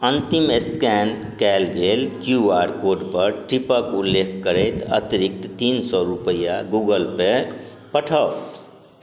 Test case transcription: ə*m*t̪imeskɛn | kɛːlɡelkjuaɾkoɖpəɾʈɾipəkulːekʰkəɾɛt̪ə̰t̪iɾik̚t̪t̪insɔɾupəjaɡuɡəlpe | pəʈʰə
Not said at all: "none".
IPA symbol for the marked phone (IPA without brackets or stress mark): n